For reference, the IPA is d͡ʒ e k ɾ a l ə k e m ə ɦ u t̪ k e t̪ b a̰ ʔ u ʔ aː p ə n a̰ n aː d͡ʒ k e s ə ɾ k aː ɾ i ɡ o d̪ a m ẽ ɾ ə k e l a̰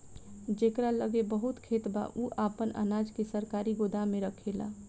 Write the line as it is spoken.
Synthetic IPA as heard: d͡ʒ e k ɾ a l ə ɡ e b ə ɦ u t̪ kʰ e t̪ b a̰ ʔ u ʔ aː p ə n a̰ n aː d͡ʒ k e s ə ɾ k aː ɾ i ɡ o d̪ a m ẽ ɾ ə kʰ e l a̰

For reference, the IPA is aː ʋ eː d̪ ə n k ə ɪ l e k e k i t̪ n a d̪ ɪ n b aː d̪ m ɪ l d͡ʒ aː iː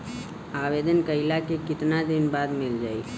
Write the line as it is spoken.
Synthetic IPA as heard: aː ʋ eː d̪ ə n k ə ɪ l a k e k ɪ t̪ n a d̪ ɪ n b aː d̪ m ɪ l d͡ʒ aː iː

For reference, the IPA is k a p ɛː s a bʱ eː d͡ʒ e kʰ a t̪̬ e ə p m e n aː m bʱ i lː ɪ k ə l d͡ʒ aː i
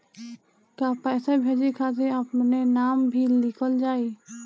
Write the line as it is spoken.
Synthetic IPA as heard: k a p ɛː s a bʱ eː d͡ʒ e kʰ a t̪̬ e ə p n e n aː m bʱ i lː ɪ k ə l d͡ʒ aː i

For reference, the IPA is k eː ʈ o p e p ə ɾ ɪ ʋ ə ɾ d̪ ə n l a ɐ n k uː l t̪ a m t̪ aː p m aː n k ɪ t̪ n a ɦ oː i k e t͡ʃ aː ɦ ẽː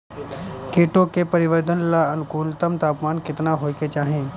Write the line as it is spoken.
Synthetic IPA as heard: k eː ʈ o k e p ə ɾ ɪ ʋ ə ɾ d̪ ə n l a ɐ n k uː l t̪ ə m t̪ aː p m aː n k ɪ t̪ n a ɦ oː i k e t͡ʃ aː ɦ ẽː

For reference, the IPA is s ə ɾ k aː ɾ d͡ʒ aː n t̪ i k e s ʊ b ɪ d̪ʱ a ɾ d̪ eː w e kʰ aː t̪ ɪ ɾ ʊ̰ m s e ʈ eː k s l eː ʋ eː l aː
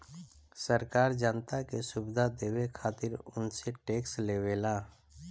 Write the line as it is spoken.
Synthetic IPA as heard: s ə ɾ k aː ɾ d͡ʒ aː n t̪ a k e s ʊ b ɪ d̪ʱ a d̪ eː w e kʰ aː t̪ ɪ ɾ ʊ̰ n s e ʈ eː k s l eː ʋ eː l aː

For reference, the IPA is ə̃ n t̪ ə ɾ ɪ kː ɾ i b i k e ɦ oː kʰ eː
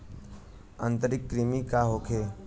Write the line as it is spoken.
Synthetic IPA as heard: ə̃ n t̪ ə ɾ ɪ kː ɾ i m i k a ɦ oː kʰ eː

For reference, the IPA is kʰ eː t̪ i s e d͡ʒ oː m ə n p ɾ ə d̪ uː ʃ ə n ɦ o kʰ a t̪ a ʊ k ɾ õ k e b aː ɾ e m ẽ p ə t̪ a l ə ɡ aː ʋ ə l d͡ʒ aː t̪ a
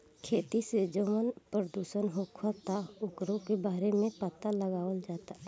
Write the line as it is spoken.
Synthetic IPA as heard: kʰ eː t̪ i s e d͡ʒ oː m ə n p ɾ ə d̪ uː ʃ ə n ɦ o kʰ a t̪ a ʊ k ɾ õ k e b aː ɾ e m ẽ p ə t̪ a l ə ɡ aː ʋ ə l d͡ʒ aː t̪ a

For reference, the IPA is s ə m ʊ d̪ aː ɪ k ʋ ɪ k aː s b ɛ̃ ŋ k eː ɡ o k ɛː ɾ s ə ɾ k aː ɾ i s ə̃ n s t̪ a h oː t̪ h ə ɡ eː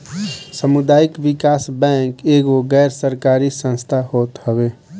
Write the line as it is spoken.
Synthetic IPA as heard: s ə m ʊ d̪ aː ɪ k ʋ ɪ k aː s b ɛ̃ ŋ k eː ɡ o ɡ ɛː ɾ s ə ɾ k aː ɾ i s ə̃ n s t̪ʰ a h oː t̪ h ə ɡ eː

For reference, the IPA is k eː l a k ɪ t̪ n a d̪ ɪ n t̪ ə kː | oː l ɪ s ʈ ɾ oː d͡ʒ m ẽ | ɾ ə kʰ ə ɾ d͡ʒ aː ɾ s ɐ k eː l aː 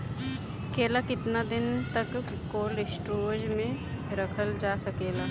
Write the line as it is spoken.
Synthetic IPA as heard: k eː l a k ɪ t̪ n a d̪ ɪ n t̪ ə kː | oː l ɪ s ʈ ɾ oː d͡ʒ m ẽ | ɾ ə kʰ ə l d͡ʒ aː s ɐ k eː l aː

